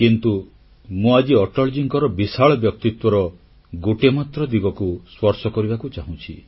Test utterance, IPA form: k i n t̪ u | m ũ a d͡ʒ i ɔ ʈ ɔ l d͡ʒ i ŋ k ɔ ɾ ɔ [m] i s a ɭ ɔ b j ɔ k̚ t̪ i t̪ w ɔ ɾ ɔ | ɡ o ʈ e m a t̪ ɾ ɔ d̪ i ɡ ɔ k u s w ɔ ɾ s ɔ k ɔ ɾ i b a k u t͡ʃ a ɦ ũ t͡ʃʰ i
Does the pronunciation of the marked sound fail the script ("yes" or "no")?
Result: yes